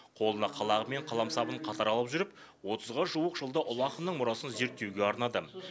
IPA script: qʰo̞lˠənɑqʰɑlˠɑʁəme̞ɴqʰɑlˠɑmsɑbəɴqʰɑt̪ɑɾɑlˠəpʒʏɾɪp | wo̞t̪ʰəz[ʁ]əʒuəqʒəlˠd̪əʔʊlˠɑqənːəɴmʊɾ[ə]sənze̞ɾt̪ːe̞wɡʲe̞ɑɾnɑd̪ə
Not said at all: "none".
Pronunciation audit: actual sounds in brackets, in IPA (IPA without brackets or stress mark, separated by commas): ʁ, ɑ